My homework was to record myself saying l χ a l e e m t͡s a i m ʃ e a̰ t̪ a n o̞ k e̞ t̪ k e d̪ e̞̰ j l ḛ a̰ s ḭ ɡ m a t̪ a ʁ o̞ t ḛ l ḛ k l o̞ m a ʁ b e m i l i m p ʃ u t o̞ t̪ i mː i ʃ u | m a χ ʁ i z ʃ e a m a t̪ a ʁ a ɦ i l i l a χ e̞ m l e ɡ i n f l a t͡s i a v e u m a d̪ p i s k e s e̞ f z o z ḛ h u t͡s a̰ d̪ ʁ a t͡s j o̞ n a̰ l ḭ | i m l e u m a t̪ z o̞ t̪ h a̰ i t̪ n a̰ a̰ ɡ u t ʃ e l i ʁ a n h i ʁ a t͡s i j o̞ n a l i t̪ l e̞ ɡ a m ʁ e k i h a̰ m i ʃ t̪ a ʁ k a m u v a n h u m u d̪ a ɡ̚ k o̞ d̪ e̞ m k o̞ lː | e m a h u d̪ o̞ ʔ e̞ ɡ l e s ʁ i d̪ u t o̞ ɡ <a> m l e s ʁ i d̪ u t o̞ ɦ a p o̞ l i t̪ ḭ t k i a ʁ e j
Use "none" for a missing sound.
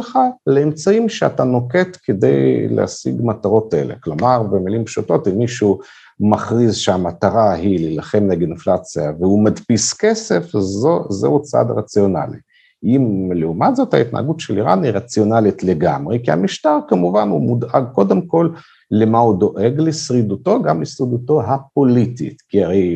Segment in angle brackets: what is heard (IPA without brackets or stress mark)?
a